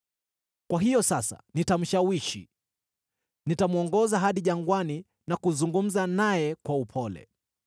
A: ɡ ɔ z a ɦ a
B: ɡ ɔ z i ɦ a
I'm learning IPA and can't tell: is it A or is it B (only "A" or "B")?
A